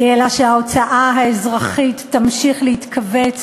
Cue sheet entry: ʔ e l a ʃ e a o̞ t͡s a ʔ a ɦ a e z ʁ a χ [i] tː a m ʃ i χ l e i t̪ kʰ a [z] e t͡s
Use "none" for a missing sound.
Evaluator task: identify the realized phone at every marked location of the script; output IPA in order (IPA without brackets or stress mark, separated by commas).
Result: i, v